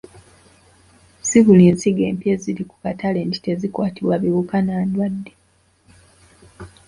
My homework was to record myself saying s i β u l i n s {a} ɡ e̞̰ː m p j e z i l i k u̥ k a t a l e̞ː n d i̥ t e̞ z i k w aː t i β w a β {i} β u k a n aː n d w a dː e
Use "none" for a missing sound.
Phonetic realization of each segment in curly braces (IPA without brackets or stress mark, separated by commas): i, i